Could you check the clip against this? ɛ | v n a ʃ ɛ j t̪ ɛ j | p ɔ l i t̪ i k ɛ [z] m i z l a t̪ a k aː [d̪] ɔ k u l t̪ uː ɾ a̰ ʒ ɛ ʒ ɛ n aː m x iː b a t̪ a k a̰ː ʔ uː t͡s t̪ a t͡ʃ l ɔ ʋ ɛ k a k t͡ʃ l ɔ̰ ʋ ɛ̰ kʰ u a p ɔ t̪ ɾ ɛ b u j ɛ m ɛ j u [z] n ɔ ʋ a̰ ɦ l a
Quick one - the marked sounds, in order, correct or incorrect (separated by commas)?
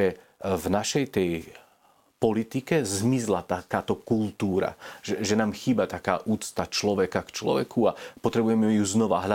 correct, incorrect, correct